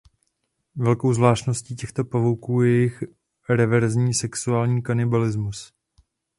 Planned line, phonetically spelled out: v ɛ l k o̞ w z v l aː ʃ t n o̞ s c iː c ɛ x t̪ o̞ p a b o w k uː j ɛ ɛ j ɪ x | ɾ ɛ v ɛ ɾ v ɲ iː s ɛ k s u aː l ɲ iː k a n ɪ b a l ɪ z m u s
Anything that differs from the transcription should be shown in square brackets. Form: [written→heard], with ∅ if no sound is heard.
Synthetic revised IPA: v ɛ l k o̞ w z v l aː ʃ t n o̞ s c iː c ɛ x t̪ o̞ p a [b→v] o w k uː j ɛ ɛ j ɪ x | ɾ ɛ v ɛ ɾ [v→z] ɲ iː s ɛ k s u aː l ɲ iː k a n ɪ b a l ɪ z m u s